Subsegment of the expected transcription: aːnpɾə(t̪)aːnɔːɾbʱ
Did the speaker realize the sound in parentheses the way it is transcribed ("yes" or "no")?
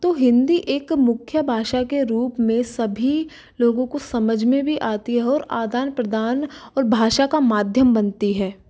no